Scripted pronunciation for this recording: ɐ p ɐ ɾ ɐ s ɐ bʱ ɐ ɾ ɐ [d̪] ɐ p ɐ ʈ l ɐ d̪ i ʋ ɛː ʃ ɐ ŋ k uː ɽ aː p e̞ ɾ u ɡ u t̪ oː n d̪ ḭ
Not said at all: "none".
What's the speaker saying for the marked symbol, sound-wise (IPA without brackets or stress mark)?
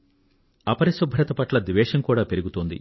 t̪